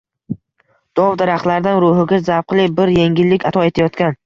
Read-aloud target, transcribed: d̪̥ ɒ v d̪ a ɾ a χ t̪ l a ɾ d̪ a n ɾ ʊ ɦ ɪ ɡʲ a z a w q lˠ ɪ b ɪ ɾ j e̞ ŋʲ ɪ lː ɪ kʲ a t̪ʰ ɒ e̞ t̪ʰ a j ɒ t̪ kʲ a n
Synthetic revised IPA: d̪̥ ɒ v d̪ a ɾ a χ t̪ l a ɾ d̪ a n ɾ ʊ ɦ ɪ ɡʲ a z a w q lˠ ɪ b ɪ ɾ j e̞ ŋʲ ɪ lː ɪ kʲ a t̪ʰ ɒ e̞ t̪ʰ a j ɒ t̪ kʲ a n